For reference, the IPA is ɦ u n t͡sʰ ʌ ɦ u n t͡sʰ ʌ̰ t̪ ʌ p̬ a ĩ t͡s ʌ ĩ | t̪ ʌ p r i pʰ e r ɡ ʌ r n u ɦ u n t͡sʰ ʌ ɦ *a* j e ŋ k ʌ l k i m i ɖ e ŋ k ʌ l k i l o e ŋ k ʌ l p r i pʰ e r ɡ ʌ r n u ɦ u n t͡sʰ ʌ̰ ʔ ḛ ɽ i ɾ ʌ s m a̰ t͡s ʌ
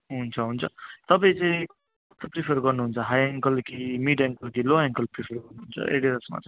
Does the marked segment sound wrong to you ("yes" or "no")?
no